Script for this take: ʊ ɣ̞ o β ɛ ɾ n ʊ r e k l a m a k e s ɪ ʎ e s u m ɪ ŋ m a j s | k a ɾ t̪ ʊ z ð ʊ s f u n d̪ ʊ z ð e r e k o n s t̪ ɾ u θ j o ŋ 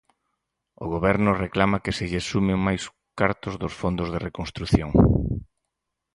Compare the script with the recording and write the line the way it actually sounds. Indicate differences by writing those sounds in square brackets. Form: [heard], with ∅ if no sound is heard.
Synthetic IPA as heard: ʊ ɣ̞ o β ɛ ɾ n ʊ r e k l a m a k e s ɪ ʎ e s u m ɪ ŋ m a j s | k a ɾ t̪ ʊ z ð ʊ s f [o] n d̪ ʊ z ð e r e k o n s t̪ ɾ u θ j o ŋ

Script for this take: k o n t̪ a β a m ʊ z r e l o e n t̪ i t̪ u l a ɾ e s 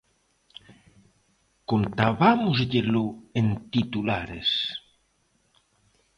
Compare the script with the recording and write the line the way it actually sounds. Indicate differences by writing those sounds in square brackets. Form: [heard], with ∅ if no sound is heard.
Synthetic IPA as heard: k o n t̪ a β a m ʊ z [ʎ] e l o e n t̪ i t̪ u l a ɾ e s

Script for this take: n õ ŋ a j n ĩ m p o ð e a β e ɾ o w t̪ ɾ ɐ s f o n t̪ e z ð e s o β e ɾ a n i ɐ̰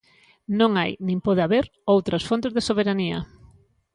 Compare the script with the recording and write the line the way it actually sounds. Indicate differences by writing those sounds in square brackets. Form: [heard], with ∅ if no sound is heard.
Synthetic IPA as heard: n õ ŋ a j n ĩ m p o ð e a β e ɾ o w t̪ ɾ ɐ s f o n t̪ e z ð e s o β e ɾ a n i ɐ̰

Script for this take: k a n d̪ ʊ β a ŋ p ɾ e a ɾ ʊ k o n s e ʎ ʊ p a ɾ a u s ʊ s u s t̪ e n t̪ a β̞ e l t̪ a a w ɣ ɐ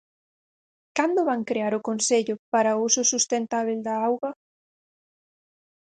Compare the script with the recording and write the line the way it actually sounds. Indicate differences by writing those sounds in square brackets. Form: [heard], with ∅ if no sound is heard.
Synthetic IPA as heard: k a n d̪ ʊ β a ŋ [k] ɾ e a ɾ ʊ k o n s e ʎ ʊ p a ɾ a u s ʊ s u s t̪ e n t̪ a β̞ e l [d̪] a a w ɣ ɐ

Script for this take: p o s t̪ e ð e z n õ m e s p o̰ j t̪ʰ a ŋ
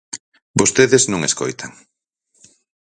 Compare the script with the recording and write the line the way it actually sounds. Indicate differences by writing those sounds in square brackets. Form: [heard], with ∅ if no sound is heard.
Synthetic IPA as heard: [b] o s t̪ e ð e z n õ [ŋ] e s [k] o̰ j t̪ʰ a ŋ

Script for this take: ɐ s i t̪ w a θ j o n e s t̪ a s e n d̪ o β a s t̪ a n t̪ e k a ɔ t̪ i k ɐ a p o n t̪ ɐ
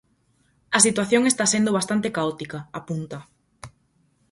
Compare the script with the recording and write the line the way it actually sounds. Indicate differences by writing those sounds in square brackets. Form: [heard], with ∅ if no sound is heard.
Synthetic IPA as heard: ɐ s i t̪ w a θ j o [ŋ] e s t̪ a s e n d̪ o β a s t̪ a n t̪ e k a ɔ t̪ i k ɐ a p [u] n t̪ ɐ

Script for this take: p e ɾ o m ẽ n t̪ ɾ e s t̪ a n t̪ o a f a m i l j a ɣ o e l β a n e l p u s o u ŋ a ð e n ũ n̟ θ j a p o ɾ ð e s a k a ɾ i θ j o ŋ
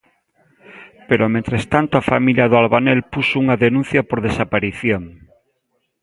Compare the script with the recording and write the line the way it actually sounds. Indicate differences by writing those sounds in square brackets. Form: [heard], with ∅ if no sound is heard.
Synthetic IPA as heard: p e ɾ o m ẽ n t̪ ɾ e s t̪ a n t̪ o a f a m i l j a [ð] o [a] l β a n e l p u s o u ŋ a ð e n ũ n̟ θ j a p o ɾ ð e s a [p] a ɾ i θ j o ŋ

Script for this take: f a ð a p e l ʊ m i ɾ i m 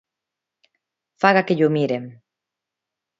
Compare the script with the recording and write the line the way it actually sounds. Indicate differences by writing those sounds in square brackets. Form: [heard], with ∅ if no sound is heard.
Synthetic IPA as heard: f a [ɣ] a [k] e [ʎ] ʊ m i ɾ [e] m

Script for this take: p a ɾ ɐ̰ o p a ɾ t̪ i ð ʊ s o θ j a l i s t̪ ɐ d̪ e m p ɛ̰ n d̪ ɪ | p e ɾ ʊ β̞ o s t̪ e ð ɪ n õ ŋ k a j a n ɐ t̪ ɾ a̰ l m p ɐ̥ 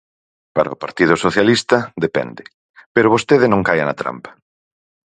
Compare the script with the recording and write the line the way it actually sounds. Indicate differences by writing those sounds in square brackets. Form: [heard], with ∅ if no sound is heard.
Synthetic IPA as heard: p a ɾ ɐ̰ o p a ɾ t̪ i ð ʊ s o θ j a l i s t̪ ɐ d̪ e [∅] p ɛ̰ n d̪ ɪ | p e ɾ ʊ β̞ o s t̪ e ð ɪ n õ ŋ k a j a n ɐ t̪ ɾ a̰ [∅] m p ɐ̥

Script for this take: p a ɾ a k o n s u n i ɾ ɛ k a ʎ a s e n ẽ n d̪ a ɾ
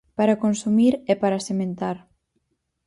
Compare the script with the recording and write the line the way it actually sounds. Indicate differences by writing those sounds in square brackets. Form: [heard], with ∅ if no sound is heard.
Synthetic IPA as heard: p a ɾ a k o n s u [m] i ɾ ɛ [p] a [ɾ] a s e [m] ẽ n [t̪] a ɾ

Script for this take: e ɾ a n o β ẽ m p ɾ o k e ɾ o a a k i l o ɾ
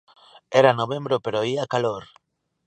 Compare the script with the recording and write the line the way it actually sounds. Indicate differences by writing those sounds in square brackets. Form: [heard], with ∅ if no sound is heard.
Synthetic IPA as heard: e ɾ a n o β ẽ m [b] ɾ o [p] e ɾ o [i] a k [a] l o ɾ

